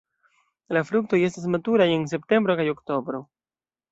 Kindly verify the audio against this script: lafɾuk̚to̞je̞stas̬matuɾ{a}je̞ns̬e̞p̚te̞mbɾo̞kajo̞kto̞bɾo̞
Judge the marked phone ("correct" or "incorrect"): correct